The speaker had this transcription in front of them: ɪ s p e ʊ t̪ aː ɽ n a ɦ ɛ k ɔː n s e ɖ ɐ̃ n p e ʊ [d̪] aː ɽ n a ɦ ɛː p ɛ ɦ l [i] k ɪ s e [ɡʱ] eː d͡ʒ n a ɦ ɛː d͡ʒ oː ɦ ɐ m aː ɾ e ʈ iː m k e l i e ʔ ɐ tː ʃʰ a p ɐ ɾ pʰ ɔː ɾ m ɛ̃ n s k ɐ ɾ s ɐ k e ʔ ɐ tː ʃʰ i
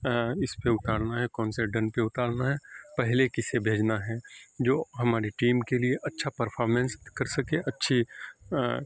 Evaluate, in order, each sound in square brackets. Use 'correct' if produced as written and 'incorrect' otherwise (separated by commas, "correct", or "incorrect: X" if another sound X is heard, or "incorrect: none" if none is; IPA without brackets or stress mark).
incorrect: t̪, incorrect: e, incorrect: bʱ